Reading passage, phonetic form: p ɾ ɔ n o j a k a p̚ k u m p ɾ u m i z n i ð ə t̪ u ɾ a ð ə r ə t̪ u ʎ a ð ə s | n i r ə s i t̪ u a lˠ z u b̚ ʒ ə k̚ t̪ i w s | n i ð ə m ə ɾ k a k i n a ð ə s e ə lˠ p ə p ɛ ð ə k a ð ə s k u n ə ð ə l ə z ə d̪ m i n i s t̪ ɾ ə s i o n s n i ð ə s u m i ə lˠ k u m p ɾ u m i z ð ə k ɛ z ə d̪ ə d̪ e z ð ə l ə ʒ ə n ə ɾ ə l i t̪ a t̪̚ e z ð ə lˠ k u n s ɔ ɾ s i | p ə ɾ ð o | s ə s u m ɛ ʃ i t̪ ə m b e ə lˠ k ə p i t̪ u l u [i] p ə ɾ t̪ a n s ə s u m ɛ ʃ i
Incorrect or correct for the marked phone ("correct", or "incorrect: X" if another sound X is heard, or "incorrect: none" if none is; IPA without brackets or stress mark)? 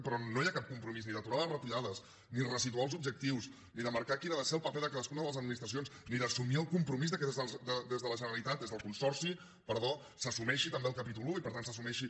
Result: correct